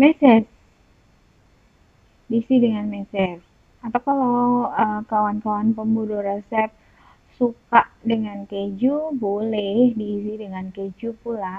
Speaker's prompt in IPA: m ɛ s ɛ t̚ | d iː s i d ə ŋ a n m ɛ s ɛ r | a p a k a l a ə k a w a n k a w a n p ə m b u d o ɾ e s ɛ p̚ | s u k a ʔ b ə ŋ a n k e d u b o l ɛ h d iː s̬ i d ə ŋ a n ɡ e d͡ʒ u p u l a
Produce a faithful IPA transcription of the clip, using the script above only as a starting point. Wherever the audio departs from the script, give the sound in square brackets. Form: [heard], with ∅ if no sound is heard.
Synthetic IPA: m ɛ s ɛ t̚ | d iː s i d ə ŋ a n m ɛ s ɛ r | a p a k a l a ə k a w a n k a w a n p ə m b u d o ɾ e s ɛ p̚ | s u k a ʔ [d] ə ŋ a n k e [d͡ʒ] u b o l ɛ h d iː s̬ i d ə ŋ a n [k] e d͡ʒ u p u l a